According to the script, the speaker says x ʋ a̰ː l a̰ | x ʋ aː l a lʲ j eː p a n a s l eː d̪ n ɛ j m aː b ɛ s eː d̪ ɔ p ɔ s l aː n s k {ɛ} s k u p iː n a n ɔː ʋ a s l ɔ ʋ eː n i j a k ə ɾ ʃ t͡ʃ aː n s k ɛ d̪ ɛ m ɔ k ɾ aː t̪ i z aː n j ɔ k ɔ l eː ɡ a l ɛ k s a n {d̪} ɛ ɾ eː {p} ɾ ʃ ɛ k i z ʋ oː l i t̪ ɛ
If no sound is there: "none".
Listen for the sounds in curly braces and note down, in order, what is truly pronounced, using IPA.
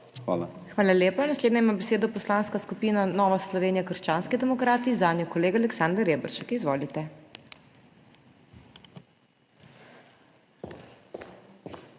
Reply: a, d̪, b

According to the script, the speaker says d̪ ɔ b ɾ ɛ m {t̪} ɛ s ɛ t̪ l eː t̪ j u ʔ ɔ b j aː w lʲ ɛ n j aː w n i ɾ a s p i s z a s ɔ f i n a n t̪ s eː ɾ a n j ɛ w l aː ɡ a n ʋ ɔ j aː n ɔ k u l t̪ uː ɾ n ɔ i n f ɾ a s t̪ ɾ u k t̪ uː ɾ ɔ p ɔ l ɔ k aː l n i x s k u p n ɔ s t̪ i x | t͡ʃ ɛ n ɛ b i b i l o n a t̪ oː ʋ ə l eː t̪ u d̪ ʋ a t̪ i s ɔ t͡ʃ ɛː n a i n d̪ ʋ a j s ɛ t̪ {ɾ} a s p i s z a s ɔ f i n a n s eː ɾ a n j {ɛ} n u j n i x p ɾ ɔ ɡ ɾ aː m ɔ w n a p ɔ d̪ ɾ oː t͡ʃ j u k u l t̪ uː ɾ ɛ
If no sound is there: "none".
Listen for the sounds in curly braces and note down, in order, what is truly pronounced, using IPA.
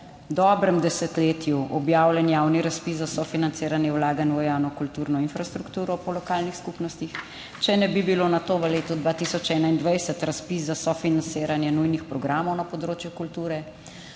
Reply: d̪, ɾ, ɛ

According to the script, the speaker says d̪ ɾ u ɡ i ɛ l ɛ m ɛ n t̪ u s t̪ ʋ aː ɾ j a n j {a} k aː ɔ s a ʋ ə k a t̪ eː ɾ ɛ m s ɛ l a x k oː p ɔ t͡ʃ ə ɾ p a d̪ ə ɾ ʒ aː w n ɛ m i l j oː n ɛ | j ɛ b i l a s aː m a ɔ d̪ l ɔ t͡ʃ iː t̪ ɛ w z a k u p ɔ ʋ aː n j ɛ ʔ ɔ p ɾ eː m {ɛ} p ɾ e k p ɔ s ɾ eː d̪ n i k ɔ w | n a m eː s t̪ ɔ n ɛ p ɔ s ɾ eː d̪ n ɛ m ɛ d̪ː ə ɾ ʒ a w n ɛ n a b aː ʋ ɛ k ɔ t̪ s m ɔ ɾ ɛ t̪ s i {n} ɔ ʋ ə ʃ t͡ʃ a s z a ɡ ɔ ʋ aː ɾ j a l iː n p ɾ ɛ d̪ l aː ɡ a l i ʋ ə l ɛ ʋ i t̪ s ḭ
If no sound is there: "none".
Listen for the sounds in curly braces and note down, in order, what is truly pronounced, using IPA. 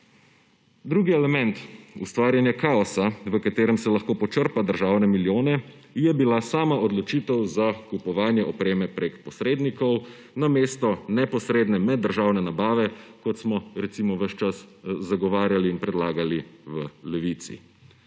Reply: a, ɛ, m

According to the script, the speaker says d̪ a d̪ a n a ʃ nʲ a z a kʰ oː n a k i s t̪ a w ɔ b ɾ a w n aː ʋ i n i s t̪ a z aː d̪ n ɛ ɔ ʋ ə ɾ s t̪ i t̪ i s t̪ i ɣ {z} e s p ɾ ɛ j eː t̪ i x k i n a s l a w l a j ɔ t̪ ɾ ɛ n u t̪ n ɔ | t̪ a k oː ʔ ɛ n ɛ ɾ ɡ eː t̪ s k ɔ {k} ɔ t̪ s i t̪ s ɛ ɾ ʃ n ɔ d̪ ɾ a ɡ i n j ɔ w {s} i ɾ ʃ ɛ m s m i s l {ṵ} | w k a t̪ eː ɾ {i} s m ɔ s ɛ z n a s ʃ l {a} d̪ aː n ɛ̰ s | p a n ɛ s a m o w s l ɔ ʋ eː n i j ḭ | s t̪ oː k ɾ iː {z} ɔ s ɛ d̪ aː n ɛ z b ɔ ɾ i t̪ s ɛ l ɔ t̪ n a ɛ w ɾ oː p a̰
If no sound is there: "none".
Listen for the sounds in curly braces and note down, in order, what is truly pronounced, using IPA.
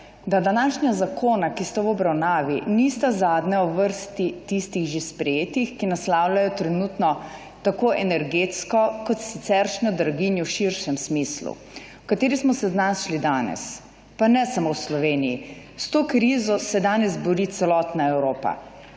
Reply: ʒ, k, ʃ, ṵ, i, i, z

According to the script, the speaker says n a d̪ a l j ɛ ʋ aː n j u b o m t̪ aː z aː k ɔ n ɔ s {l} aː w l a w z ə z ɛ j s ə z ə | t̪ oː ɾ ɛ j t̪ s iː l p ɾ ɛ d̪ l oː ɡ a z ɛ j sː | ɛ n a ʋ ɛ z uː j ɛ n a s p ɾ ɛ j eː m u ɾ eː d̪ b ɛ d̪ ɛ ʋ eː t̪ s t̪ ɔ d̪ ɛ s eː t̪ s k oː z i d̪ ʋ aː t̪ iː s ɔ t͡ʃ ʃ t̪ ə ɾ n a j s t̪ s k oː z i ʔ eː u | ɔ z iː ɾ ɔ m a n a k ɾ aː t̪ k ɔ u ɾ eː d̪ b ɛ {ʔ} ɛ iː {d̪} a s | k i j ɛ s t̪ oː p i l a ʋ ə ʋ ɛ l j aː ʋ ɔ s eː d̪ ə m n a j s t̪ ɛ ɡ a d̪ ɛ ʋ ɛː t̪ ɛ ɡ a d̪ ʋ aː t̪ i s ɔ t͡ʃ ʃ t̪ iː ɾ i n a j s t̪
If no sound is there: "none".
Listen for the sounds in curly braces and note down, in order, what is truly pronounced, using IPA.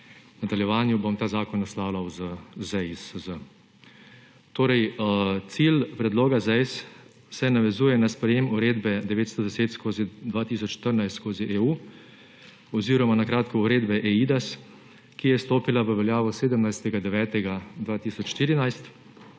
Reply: l, ʔ, d̪

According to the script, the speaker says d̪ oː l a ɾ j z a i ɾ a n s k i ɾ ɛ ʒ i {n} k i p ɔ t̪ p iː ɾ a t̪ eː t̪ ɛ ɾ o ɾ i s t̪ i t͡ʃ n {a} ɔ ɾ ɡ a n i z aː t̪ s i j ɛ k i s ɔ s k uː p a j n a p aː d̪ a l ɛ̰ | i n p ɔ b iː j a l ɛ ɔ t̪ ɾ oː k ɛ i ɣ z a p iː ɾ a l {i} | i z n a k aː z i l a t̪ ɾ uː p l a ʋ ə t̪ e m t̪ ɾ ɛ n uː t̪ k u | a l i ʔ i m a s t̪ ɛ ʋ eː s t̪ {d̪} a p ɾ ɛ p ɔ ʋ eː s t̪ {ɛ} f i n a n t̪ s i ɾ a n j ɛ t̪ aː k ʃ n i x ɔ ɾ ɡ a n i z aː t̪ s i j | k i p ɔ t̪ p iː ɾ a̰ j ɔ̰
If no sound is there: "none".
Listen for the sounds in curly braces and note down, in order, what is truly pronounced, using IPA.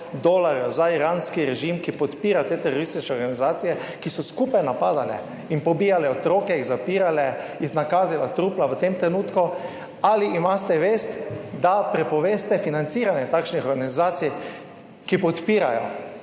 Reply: m, ɛ, ɛ, d̪, ɛ

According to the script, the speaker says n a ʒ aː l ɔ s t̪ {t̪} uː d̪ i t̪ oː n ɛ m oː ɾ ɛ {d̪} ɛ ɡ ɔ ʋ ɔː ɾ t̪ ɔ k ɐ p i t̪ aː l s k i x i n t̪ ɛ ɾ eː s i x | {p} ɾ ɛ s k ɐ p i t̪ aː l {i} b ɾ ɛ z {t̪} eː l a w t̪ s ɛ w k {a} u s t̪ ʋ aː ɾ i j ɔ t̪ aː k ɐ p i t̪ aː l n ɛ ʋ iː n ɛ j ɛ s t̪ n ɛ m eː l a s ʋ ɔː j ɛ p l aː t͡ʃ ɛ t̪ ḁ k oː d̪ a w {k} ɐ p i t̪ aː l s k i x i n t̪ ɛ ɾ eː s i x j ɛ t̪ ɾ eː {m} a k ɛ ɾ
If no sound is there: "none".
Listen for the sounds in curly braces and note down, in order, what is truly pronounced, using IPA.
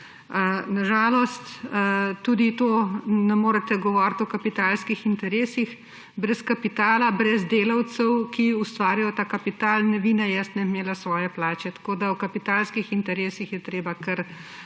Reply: t̪, t̪, b, a, d̪, i, k, b

